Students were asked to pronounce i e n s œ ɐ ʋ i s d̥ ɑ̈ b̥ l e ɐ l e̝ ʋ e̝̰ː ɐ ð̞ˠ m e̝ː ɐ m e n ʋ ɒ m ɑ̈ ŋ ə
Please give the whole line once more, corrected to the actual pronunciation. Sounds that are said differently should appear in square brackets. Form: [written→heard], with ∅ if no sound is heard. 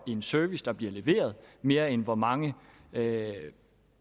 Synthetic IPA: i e n s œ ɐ ʋ i s d̥ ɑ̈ b̥ l [e→i] ɐ l e̝ ʋ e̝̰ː ɐ ð̞ˠ m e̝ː ɐ [m→∅] e n ʋ ɒ m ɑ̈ ŋ ə